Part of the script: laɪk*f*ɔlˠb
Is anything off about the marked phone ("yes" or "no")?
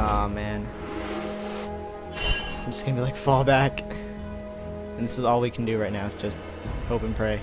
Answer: no